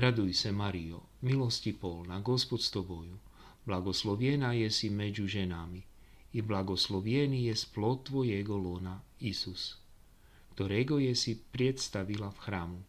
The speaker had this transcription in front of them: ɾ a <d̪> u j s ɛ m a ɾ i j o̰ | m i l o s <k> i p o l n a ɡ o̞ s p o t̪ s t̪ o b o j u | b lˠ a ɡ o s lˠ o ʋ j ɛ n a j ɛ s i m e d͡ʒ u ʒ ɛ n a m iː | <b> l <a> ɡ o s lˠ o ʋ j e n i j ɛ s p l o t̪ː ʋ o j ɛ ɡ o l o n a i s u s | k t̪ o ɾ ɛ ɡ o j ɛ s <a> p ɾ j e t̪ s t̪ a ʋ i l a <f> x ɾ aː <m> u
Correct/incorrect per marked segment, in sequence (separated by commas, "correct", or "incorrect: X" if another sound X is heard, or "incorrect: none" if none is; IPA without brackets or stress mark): correct, incorrect: c, correct, correct, incorrect: i, correct, correct